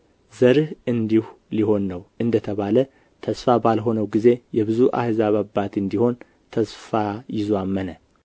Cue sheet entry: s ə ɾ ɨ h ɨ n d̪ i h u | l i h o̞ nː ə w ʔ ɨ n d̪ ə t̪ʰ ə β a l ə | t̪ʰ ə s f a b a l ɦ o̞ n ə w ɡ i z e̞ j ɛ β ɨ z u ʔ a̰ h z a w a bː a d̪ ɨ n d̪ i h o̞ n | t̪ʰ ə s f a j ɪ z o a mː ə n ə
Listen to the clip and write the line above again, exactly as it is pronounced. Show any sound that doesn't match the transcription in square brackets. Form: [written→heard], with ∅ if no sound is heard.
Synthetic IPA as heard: [s→z] ə ɾ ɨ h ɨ n d̪ i h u | l i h o̞ nː ə w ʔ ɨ n d̪ ə t̪ʰ ə β a l ə | t̪ʰ ə s f a b a l ɦ o̞ n ə w ɡ i z e̞ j ɛ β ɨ z u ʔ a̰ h z a [w→β] a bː a [d̪→t̪] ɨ n d̪ i h o̞ n | t̪ʰ ə s f a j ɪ z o a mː ə n ə